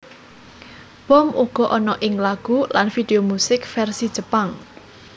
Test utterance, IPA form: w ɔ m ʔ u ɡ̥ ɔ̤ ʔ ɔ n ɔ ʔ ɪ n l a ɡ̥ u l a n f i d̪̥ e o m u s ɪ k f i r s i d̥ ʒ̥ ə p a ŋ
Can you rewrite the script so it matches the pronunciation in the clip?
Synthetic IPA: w ɔ m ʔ u ɡ̥ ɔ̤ ʔ ɔ n ɔ ʔ ɪ ŋ l a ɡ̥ u l a n f i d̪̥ e o m u s ɪ k f ɛ r s i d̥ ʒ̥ ə p a ŋ